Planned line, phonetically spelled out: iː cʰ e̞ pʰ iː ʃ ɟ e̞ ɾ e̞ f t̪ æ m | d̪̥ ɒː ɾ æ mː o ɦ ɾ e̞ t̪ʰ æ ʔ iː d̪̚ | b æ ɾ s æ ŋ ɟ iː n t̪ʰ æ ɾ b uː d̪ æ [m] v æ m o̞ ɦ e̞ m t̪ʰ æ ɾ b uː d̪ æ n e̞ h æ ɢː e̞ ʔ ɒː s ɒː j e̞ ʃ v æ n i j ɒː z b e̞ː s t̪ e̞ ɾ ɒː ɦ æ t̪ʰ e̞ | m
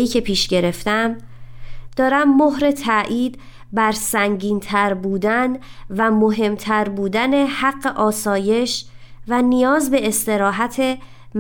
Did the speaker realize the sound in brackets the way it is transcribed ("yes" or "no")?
no